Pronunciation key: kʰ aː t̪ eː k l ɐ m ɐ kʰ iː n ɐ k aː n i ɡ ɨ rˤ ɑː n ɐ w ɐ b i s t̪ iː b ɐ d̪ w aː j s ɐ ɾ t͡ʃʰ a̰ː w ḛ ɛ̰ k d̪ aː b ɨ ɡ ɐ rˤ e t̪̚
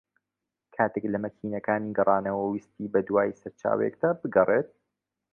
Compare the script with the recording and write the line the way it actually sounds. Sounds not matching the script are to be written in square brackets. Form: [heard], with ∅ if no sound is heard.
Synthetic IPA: kʰ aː t̪ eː k l ɐ m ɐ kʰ iː n ɐ k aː n i ɡ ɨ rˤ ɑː n ɐ w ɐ [w] i s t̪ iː b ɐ d̪ w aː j s ɐ ɾ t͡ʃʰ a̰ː w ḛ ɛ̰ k d̪ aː b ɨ ɡ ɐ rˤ e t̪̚